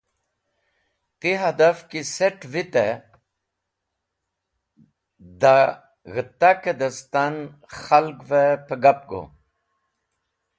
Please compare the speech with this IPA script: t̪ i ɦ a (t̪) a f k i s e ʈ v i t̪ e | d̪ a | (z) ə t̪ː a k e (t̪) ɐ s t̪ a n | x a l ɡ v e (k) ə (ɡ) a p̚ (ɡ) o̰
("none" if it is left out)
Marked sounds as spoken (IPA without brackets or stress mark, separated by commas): d̪, ɣ, d̪, p, ɡ, ɡ